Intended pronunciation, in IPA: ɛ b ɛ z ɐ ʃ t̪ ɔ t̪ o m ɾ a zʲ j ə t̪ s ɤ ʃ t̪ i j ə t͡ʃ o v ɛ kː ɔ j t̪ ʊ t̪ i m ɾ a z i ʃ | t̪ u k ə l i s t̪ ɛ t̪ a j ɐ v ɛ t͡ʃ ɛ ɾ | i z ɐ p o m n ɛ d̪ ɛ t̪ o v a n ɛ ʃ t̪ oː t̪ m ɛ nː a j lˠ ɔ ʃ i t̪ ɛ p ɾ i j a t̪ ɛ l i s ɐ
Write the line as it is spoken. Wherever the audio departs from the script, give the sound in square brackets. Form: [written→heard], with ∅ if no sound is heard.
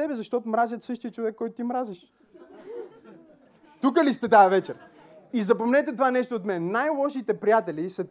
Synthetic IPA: ɛ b ɛ z ɐ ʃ t̪ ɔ t̪ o m ɾ a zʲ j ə t̪ s ɤ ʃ t̪ i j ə t͡ʃ o v ɛ kː ɔ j t̪ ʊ t̪ i m ɾ a z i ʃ | t̪ u k ə l i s t̪ ɛ t̪ a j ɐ v ɛ t͡ʃ ɛ ɾ | i z ɐ p o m n ɛ [d̪→t̪] ɛ t̪ o v a n ɛ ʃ t̪ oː t̪ m ɛ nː a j lˠ ɔ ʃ i t̪ ɛ p ɾ i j a t̪ ɛ l i s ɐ